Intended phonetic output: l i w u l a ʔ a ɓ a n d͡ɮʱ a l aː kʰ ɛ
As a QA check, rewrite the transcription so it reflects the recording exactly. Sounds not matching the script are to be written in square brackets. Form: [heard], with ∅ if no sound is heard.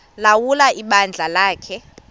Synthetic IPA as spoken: l [a] w u l a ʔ [i] ɓ a n d͡ɮʱ a l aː kʰ ɛ